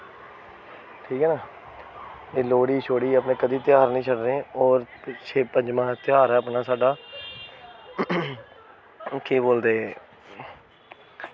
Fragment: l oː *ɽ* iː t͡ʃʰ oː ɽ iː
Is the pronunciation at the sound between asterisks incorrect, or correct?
correct